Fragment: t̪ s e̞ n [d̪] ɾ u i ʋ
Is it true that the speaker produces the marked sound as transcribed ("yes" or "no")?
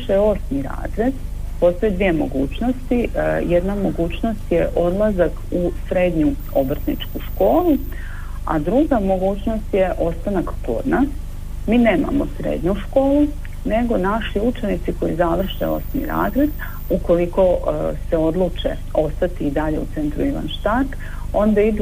no